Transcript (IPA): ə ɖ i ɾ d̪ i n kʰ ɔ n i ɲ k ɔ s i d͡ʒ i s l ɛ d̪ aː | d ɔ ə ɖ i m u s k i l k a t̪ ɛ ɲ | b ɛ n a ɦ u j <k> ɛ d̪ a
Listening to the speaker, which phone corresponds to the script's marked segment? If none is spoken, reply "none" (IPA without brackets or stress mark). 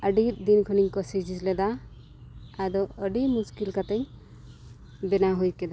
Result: k